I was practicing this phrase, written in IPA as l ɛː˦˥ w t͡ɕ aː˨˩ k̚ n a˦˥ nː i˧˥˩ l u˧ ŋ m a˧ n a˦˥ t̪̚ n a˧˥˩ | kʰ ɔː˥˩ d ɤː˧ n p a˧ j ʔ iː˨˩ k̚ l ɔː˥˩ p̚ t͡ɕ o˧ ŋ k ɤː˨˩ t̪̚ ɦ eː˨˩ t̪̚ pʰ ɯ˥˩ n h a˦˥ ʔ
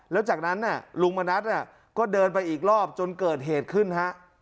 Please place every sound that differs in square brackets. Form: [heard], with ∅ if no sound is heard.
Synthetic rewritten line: l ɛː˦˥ w t͡ɕ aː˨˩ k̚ n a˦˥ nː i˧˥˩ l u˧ ŋ m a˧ n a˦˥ t̪̚ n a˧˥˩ | [k] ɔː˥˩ d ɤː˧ n p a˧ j ʔ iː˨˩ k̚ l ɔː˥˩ p̚ t͡ɕ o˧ [n] k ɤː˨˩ t̪̚ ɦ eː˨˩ t̪̚ [kʰ] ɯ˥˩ n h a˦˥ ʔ